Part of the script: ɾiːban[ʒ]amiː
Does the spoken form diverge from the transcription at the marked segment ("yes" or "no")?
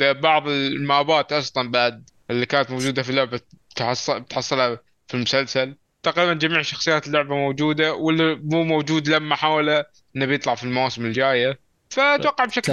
yes